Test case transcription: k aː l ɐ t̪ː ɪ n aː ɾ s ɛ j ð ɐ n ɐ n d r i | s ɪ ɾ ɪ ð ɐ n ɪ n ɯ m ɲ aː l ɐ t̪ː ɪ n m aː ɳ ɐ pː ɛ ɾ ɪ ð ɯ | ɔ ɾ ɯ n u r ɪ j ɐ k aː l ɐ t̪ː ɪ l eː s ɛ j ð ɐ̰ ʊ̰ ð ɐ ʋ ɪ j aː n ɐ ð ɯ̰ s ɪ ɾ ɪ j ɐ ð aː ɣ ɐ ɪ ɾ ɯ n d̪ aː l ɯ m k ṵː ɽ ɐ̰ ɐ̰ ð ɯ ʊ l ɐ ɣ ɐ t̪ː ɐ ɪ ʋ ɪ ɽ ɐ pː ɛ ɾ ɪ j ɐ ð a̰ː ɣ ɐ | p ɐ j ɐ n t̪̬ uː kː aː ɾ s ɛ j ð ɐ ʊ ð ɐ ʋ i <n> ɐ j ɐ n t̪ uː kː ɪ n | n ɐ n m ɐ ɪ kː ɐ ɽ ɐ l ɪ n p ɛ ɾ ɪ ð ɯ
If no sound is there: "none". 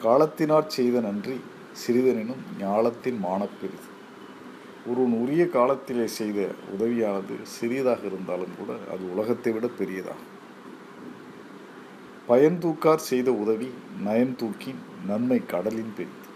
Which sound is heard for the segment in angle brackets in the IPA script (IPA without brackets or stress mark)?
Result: n